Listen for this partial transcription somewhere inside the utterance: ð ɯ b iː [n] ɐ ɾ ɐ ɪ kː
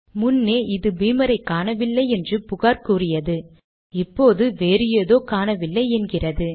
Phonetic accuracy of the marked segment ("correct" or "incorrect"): incorrect